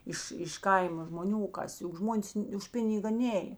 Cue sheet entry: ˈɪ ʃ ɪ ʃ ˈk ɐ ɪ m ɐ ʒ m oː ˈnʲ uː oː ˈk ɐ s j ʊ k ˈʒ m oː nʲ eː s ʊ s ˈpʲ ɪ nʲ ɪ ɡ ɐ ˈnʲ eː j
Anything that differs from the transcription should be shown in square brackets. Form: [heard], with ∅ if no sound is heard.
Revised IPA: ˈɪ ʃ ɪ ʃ ˈk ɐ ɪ m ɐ ʒ m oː ˈnʲ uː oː ˈk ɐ s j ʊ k ˈʒ m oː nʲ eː s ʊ [ʃ] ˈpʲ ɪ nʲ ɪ ɡ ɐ ˈnʲ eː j

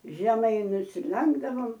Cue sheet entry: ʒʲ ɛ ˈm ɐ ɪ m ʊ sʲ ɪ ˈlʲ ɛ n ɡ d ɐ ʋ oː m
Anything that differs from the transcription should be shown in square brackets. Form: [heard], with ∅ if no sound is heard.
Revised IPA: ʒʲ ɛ ˈm ɐ ɪ [n] ʊ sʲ ɪ ˈlʲ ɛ [ŋ] ɡ d ɐ ʋ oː m

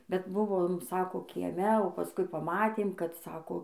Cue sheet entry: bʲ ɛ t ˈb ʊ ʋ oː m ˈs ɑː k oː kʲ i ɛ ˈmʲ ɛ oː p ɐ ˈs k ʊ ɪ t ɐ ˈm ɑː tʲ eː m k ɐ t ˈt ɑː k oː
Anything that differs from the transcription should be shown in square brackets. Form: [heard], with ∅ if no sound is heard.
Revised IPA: bʲ ɛ t ˈb ʊ ʋ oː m ˈs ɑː k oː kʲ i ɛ ˈmʲ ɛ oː p ɐ ˈs k ʊ ɪ [p] ɐ ˈm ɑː tʲ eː m k ɐ t [ˈs] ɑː k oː

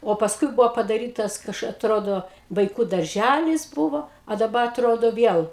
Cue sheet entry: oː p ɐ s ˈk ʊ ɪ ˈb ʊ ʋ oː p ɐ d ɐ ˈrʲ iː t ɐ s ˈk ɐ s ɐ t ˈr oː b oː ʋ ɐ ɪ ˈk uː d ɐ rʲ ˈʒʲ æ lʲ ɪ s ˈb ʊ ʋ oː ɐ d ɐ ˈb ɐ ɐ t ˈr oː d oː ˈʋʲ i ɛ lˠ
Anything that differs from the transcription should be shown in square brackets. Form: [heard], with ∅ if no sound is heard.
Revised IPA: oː p ɐ s ˈk ʊ ɪ ˈb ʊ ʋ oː p ɐ d ɐ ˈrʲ iː t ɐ s ˈk ɐ [ʃ] ɐ t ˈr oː [d] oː ʋ ɐ ɪ ˈk uː d ɐ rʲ ˈʒʲ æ lʲ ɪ s ˈb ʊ ʋ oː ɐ d ɐ ˈb ɐ ɐ t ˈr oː d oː ˈʋʲ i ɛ lˠ

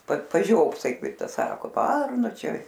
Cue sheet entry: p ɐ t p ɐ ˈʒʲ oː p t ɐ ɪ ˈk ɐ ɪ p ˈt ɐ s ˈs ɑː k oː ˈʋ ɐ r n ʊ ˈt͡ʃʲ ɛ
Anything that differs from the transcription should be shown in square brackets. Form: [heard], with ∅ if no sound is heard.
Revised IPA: p ɐ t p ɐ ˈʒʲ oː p [s] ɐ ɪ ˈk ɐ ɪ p ˈt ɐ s ˈs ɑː k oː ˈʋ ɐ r n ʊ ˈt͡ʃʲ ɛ

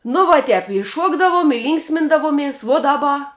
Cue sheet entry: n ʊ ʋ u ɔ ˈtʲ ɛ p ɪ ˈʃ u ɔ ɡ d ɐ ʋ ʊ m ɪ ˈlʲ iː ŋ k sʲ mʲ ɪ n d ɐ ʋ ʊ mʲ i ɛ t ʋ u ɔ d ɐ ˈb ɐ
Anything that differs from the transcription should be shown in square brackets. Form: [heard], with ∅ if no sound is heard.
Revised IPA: n ʊ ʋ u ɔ ˈtʲ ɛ p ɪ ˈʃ u ɔ ɡ d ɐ ʋ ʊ m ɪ ˈlʲ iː ŋ k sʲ mʲ ɪ n d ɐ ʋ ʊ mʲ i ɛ [s] ʋ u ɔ d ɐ ˈb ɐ

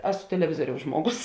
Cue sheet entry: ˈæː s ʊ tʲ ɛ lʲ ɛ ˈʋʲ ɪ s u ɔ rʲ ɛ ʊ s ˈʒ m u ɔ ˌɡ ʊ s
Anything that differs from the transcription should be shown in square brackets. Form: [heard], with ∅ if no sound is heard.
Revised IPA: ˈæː s ʊ tʲ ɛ lʲ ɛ ˈʋʲ ɪ [z] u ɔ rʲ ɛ ʊ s ˈʒ m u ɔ ˌɡ ʊ s

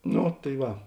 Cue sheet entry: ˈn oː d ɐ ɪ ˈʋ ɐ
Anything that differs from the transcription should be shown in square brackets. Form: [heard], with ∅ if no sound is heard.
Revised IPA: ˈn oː [t] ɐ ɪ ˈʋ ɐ

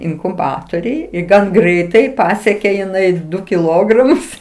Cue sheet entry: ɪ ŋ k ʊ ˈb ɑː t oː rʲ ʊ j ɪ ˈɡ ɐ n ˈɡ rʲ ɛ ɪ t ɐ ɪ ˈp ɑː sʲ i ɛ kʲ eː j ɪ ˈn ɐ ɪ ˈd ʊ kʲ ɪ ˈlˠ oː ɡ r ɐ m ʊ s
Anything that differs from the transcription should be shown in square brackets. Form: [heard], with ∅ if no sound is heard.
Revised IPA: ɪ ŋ k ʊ ˈb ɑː t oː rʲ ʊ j ɪ ˈɡ ɐ n ˈɡ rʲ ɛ ɪ t ɐ ɪ ˈp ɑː sʲ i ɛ kʲ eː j ɪ ˈn ɐ ɪ ˈd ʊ kʲ ɪ ˈlˠ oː ɡ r ɐ m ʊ s

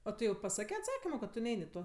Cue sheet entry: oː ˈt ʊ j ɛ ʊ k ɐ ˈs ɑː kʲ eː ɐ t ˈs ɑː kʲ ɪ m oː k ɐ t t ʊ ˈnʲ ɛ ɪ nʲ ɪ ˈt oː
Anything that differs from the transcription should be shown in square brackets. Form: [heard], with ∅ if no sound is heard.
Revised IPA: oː ˈt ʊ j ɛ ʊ [p] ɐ ˈs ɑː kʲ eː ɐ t ˈs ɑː kʲ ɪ m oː k ɐ t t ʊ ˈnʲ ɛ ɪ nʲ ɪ ˈt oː

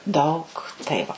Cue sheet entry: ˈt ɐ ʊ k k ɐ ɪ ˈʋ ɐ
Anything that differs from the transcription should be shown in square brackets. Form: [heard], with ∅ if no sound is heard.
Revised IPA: [ˈd] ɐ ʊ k [t] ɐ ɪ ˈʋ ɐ

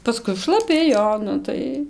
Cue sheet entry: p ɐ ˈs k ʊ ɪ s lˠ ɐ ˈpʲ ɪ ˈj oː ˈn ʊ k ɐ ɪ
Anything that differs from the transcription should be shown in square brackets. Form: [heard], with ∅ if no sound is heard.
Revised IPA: p ɐ ˈs k ʊ ɪ [ʃ] lˠ ɐ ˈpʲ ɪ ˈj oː ˈn ʊ [t] ɐ ɪ

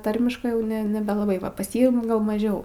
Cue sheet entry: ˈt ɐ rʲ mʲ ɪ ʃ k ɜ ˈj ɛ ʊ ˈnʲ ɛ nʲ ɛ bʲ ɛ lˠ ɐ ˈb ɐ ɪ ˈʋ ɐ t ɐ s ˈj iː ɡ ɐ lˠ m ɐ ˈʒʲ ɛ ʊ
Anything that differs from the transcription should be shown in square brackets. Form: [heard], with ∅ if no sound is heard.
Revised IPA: ˈt ɐ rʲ mʲ ɪ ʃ k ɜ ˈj ɛ ʊ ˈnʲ ɛ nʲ ɛ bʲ ɛ lˠ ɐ ˈb ɐ ɪ ˈʋ ɐ [p] ɐ s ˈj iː ɡ ɐ lˠ m ɐ ˈʒʲ ɛ ʊ

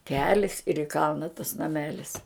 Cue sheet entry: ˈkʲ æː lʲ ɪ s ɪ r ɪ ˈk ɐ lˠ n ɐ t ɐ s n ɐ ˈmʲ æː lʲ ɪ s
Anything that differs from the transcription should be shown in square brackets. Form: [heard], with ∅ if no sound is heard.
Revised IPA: ˈkʲ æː lʲ ɪ s ɪ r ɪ ˈk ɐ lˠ n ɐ t ɐ s n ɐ ˈmʲ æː lʲ ɪ s

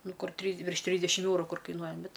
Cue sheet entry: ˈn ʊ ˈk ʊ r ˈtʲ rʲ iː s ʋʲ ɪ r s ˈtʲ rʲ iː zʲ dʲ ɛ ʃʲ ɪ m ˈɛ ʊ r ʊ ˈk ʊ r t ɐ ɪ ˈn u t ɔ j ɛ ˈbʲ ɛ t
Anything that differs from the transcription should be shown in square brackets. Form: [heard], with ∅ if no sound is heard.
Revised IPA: ˈn ʊ ˈk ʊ r ˈtʲ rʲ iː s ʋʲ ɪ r [ʃ] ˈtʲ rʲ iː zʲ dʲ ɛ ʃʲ ɪ m ˈɛ ʊ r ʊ ˈk ʊ r [k] ɐ ɪ ˈn u [∅] ɔ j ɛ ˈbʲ ɛ t

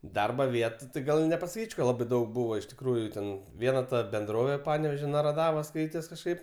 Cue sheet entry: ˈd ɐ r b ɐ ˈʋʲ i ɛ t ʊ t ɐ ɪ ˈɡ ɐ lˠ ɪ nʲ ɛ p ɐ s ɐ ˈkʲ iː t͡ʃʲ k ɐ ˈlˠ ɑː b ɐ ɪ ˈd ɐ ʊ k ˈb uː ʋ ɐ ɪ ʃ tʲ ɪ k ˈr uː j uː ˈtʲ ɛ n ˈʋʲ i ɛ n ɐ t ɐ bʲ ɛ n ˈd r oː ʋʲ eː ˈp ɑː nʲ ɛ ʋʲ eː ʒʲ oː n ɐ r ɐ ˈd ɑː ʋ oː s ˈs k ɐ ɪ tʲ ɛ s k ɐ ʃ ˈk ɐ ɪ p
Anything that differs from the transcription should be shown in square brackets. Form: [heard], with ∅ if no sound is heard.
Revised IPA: ˈd ɐ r b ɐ ˈʋʲ i ɛ t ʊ t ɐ ɪ ˈɡ ɐ lˠ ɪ nʲ ɛ p ɐ s ɐ ˈkʲ iː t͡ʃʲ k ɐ ˈlˠ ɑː b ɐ ɪ ˈd ɐ ʊ k ˈb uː ʋ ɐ ɪ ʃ tʲ ɪ k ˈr uː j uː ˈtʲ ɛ n ˈʋʲ i ɛ n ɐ t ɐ bʲ ɛ n ˈd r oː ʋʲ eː ˈp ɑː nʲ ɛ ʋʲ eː ʒʲ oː n ɐ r ɐ ˈd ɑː ʋ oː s ˈs k ɐ ɪ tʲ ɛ s k ɐ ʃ ˈk ɐ ɪ p

